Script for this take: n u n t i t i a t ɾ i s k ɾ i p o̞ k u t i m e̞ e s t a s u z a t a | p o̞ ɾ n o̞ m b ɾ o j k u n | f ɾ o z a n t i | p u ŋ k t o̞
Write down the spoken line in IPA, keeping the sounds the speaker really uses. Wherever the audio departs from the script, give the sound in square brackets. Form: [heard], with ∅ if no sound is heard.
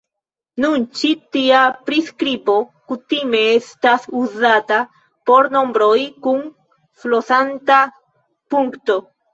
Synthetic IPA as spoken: n u n [t͡ʃ] i t i a [p] ɾ i s k ɾ i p o̞ k u t i m e̞ e s t a s u z a t a | p o̞ ɾ n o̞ m b ɾ o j k u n | f [l] o [s] a n t [a] | p u ŋ k t o̞